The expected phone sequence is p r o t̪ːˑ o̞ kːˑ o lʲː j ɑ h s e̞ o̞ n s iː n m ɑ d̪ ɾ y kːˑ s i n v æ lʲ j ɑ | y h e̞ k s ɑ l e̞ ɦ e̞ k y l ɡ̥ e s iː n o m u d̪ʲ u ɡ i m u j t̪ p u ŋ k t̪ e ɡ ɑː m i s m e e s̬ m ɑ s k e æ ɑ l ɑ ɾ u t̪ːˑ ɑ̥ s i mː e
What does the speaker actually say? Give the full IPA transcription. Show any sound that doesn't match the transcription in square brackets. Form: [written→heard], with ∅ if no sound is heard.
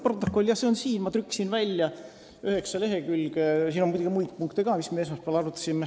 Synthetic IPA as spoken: p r o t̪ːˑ o̞ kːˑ o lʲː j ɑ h s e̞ o̞ n s iː n m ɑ [d̪→t̪] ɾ y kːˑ s i n v æ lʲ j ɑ | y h e̞ k s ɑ l e̞ ɦ e̞ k y l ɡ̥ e s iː n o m u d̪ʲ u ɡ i m u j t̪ p u ŋ k t̪ e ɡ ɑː m i s m e e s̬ m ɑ s [k→p] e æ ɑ l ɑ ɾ u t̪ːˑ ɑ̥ s i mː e